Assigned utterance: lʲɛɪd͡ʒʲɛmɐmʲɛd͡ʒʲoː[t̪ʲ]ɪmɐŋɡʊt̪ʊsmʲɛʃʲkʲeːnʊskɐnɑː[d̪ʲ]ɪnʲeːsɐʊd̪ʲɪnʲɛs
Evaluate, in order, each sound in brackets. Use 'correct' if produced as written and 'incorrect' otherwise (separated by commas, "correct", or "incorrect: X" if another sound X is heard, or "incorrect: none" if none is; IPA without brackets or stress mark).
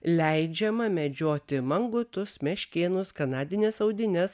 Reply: correct, correct